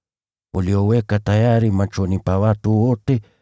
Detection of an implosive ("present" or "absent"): absent